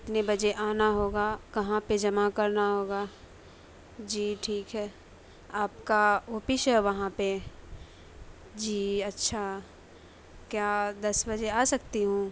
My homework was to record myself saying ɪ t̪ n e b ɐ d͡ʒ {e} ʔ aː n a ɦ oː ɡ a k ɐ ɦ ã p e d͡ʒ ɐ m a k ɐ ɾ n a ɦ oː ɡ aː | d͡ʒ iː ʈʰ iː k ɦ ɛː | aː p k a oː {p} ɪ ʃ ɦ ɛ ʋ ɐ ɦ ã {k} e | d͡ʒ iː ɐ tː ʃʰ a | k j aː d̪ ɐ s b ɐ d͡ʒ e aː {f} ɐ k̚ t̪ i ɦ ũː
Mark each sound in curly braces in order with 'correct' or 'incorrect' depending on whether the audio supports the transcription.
correct, correct, incorrect: p, incorrect: s

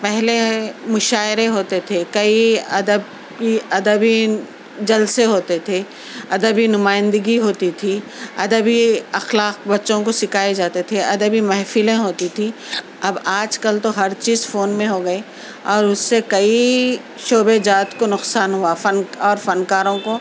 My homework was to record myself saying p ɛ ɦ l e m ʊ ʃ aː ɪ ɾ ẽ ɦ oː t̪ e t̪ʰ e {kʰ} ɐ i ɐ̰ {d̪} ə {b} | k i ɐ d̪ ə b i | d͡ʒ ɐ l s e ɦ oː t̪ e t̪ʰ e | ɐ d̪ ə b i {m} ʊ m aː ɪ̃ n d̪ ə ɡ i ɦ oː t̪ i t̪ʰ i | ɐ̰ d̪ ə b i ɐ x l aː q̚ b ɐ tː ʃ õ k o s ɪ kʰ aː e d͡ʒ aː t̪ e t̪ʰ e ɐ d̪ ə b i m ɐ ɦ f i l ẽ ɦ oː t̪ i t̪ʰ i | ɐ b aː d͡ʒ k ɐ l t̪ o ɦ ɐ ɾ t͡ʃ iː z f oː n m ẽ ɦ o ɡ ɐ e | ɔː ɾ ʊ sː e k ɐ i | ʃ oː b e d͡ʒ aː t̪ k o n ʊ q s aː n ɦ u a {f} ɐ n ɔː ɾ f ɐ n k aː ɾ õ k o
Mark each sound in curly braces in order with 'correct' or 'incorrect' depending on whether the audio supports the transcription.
incorrect: k, correct, correct, incorrect: n, correct

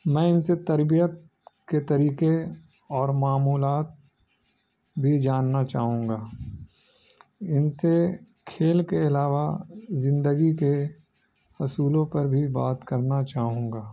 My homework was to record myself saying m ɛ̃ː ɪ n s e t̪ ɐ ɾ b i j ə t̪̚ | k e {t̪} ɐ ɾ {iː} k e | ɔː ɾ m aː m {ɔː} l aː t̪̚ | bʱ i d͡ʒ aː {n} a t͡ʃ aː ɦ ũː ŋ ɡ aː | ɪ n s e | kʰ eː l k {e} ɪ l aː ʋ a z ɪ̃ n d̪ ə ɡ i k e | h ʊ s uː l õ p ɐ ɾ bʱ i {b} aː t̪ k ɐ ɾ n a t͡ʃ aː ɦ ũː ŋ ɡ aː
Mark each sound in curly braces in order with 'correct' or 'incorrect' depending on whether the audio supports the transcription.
correct, correct, incorrect: uː, incorrect: nː, correct, correct

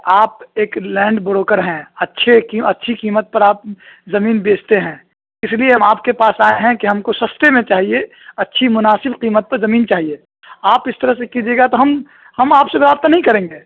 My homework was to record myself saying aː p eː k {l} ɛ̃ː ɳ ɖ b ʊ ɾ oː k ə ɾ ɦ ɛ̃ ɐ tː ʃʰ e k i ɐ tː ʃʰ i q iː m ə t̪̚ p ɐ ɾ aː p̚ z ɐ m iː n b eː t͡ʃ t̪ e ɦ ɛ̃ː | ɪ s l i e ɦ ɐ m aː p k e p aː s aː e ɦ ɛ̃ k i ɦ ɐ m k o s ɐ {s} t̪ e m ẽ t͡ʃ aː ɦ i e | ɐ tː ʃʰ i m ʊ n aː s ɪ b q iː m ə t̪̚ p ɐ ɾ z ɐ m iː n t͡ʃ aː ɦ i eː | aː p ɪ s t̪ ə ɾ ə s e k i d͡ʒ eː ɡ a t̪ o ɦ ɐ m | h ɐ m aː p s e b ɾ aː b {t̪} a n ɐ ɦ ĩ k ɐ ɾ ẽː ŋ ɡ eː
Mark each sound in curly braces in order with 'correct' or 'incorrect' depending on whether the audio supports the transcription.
correct, correct, correct

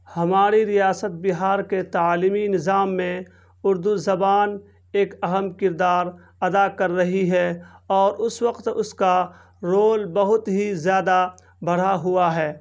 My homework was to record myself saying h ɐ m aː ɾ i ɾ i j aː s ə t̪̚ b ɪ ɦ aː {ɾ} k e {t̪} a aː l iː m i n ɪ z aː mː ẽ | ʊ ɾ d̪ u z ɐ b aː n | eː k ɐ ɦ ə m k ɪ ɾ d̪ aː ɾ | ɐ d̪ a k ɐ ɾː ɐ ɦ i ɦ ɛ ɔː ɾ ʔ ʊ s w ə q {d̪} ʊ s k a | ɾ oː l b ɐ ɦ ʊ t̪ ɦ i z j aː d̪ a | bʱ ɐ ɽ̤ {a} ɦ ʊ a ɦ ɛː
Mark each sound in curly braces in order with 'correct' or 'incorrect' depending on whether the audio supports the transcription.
correct, correct, incorrect: t̪, correct

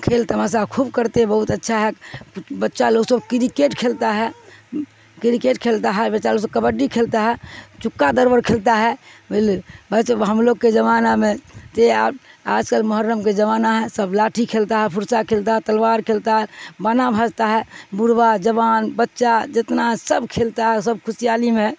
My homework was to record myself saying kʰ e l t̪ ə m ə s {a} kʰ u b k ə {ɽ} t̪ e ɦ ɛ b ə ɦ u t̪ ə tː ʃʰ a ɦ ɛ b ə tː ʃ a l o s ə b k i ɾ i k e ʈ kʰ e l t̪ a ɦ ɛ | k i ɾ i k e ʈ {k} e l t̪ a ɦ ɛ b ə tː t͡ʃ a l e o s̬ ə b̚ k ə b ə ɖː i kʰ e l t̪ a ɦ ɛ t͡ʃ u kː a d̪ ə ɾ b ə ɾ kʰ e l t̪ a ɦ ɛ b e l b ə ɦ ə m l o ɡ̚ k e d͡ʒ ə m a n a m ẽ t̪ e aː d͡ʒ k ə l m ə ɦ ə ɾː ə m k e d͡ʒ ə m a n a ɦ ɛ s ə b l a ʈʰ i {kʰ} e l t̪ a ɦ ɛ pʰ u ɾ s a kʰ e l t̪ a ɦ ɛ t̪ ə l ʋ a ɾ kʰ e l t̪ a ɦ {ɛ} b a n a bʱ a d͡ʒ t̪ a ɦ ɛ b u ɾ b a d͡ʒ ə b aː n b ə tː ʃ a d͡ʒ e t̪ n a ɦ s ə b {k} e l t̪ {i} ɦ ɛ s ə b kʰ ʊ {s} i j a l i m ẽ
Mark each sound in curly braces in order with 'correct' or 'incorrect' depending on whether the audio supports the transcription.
correct, incorrect: ɾ, incorrect: kʰ, correct, correct, incorrect: kʰ, incorrect: a, correct

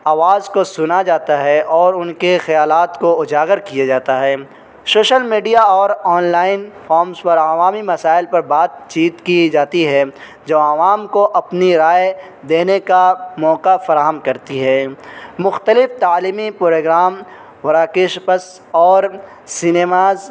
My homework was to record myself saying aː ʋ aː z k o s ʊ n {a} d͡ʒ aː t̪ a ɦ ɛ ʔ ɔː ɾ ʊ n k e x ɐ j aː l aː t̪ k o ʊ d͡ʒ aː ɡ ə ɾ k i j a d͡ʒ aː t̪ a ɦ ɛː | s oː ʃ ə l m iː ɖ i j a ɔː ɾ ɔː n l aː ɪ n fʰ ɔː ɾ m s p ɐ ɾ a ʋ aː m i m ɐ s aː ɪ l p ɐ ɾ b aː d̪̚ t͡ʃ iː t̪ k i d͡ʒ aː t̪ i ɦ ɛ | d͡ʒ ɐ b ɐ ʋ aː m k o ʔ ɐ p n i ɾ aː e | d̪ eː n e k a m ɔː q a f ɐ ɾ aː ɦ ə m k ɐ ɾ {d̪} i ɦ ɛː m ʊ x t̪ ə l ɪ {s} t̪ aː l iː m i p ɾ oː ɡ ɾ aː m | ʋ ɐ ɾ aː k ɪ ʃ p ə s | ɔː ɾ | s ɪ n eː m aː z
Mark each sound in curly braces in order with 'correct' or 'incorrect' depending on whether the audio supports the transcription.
correct, incorrect: t̪, incorrect: f

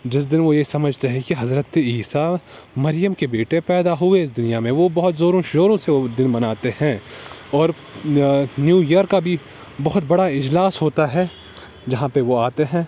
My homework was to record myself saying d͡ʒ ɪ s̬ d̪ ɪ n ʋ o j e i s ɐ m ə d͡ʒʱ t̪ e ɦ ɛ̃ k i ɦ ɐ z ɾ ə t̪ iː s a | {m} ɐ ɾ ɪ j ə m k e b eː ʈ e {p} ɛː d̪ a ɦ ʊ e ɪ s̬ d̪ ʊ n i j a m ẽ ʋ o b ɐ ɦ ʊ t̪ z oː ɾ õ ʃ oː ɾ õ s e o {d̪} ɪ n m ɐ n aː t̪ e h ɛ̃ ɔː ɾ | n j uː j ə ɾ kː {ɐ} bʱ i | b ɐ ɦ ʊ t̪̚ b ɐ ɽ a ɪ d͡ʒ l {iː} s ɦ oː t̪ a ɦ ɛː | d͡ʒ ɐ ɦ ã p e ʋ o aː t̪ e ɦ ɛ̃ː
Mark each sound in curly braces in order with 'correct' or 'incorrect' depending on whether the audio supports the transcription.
correct, correct, correct, incorrect: a, incorrect: aː

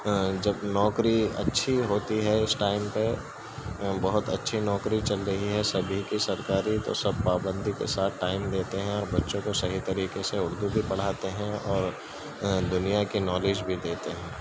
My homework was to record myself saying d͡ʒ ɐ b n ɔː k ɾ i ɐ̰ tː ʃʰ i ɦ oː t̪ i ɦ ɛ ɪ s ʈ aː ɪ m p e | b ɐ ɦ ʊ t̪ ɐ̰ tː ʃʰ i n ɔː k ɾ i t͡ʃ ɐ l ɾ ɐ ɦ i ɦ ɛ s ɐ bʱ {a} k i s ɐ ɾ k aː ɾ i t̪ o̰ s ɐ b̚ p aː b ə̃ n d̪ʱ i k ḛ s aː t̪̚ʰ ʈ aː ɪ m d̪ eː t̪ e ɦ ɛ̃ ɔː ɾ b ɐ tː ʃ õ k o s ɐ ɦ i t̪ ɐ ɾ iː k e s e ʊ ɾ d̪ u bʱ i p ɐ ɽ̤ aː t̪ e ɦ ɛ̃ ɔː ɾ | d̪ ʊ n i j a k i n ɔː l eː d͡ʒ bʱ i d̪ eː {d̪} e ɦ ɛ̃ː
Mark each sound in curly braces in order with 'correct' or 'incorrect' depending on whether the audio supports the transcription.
incorrect: i, incorrect: t̪

